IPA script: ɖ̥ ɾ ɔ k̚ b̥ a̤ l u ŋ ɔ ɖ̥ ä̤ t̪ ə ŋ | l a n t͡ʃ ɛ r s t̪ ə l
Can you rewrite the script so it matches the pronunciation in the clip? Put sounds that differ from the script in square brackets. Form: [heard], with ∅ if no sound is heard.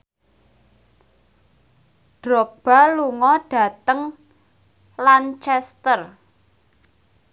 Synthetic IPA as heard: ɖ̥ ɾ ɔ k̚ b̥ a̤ l u ŋ ɔ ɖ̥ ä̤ t̪ ə ŋ | l a n t͡ʃ ɛ [∅] s t̪ ə [r]